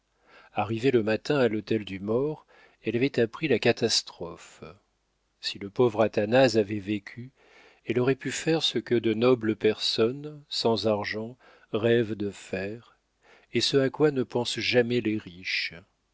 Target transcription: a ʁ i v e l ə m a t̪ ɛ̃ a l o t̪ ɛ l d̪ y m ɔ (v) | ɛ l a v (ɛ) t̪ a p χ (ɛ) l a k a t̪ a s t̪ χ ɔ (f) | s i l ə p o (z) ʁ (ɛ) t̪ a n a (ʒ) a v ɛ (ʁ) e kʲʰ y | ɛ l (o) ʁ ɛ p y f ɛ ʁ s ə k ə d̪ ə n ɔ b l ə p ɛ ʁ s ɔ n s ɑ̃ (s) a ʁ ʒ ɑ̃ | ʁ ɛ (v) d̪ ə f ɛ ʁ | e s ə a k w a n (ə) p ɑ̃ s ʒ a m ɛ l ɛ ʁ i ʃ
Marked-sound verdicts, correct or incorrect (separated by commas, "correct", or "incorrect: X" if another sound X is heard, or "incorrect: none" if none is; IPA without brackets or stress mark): incorrect: ʁ, correct, incorrect: i, correct, incorrect: v, incorrect: a, incorrect: z, incorrect: v, incorrect: ɔ, incorrect: z, correct, correct